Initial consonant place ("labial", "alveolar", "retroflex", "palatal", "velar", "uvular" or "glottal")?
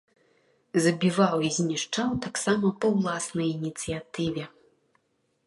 alveolar